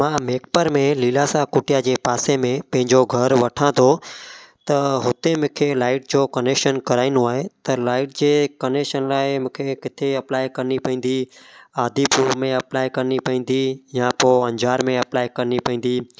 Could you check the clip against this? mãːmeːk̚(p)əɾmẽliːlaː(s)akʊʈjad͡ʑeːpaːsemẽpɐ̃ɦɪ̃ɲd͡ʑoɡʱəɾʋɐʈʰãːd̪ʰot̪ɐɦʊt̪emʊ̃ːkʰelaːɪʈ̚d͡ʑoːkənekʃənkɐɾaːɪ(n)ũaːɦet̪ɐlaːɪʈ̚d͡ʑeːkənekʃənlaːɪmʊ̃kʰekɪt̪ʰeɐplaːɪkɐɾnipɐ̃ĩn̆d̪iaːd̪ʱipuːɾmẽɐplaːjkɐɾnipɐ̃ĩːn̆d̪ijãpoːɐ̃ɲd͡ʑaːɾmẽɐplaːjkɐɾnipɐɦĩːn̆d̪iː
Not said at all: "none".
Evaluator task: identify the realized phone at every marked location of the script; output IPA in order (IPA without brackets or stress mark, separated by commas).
p, s, n